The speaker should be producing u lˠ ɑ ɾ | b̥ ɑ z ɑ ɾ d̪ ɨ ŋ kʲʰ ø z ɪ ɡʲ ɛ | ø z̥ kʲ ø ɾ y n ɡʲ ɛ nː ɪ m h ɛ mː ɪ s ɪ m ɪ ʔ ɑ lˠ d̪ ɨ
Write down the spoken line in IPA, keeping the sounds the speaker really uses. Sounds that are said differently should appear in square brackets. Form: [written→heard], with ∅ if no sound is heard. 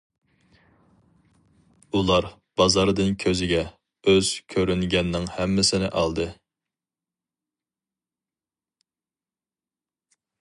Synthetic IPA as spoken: u lˠ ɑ ɾ | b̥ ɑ z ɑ ɾ d̪ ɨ [ŋ→n] kʲʰ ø z ɪ ɡʲ ɛ | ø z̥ [kʲ→kʲʰ] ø ɾ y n ɡʲ ɛ nː ɪ [m→ŋ] h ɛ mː ɪ s ɪ [m→n] ɪ ʔ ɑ lˠ d̪ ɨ